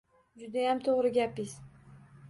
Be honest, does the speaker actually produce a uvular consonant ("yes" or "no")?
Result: yes